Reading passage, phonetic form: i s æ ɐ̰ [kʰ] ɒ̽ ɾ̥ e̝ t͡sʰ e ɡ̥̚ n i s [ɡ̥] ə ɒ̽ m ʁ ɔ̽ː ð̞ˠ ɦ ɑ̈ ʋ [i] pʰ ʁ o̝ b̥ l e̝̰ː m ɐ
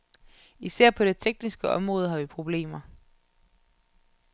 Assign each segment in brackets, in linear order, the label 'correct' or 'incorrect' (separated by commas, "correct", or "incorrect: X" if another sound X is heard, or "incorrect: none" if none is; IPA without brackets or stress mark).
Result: incorrect: pʰ, correct, correct